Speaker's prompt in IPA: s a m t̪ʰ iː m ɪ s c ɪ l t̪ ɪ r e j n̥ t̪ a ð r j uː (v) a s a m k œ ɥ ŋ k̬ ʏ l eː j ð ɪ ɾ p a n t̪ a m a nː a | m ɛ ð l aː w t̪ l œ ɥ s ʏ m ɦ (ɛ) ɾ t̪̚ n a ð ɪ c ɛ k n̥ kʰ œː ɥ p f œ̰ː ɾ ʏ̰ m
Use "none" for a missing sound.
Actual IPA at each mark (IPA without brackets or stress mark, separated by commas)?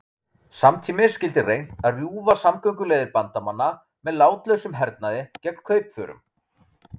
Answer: v, ɛ